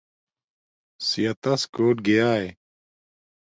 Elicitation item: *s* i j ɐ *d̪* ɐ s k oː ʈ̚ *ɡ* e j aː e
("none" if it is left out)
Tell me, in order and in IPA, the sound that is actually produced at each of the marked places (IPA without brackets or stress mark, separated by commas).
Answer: s, t̪, ɡ